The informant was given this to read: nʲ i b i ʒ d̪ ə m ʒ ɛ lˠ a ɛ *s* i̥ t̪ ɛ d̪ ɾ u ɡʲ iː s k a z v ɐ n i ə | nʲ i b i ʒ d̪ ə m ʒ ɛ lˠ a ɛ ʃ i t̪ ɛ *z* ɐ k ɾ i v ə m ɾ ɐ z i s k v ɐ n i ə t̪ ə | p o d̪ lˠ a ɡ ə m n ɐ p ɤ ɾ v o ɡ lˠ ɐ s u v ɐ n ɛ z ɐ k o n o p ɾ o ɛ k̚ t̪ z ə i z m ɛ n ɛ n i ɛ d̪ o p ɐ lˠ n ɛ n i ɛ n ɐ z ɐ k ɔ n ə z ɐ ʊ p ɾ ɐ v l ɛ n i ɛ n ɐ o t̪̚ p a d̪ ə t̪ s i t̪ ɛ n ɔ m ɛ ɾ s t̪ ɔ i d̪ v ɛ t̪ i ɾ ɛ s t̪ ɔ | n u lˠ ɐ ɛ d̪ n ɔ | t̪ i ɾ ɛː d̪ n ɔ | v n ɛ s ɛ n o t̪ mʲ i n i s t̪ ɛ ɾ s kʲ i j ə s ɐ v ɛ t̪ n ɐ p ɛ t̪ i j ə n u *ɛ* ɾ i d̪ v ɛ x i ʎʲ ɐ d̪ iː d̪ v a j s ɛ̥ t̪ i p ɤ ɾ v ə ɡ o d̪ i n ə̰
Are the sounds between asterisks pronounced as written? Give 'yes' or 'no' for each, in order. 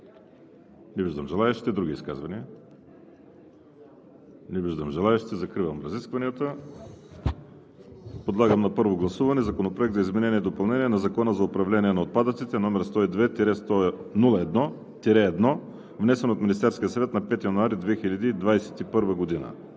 no, yes, no

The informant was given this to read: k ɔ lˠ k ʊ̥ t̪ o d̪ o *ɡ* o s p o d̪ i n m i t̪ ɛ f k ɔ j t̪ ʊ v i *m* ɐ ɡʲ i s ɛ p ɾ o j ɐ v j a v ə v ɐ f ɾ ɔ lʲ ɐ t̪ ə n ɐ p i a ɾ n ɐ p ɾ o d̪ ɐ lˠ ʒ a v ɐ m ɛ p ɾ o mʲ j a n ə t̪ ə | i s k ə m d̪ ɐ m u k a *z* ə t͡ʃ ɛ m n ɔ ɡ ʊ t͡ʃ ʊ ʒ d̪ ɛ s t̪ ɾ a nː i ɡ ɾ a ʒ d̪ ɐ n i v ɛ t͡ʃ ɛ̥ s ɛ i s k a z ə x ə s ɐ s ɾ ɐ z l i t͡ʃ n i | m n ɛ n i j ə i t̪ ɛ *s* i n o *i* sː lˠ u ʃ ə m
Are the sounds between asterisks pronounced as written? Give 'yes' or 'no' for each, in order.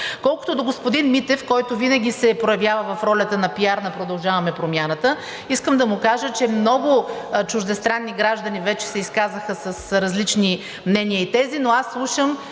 yes, no, no, no, no

